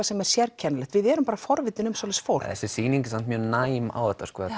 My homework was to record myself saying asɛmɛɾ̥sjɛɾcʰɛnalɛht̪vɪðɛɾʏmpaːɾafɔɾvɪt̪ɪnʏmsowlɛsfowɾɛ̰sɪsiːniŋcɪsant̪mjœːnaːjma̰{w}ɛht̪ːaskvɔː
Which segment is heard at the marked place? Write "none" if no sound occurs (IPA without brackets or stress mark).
w